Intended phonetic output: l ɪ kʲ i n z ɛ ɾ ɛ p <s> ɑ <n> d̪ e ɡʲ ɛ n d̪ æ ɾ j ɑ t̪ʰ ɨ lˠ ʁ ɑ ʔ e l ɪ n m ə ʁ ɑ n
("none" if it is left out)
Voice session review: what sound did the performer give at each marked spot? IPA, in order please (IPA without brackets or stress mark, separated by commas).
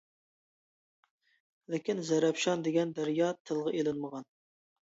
ʃ, n